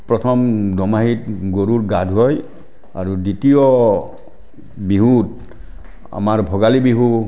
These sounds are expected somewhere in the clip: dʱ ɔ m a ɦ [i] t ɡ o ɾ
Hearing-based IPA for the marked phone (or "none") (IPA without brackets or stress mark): i